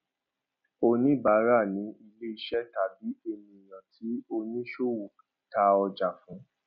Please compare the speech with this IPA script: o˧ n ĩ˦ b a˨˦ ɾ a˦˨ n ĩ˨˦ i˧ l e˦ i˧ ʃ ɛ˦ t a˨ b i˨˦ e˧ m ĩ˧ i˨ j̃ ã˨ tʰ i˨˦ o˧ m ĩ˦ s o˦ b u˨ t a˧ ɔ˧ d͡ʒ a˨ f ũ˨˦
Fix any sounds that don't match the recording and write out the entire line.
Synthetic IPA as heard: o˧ n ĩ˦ b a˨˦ ɾ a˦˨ n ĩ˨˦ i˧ l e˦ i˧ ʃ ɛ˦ t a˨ b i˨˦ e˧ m ĩ˧ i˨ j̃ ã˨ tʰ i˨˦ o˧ n ĩ˦ ʃ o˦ w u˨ t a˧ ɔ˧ d͡ʒ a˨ f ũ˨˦